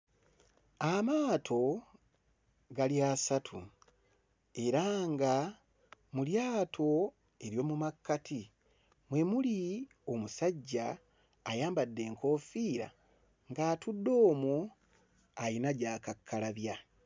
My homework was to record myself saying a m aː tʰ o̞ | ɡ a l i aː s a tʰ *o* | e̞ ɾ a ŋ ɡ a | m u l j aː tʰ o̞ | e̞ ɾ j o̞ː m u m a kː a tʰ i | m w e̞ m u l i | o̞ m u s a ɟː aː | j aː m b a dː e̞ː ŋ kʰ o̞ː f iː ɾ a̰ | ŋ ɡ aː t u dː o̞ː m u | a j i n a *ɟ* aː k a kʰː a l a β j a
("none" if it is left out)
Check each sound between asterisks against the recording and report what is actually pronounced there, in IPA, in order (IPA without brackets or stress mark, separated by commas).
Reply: u, ɟ